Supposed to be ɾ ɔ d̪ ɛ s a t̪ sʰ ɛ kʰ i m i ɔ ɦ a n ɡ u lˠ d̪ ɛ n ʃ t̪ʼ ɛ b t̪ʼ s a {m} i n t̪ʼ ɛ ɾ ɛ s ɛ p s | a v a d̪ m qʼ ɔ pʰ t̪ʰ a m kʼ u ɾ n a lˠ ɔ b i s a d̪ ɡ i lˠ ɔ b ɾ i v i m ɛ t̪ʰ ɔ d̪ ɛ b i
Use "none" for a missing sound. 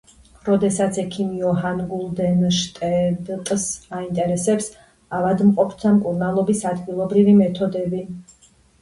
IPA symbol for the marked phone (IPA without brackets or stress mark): none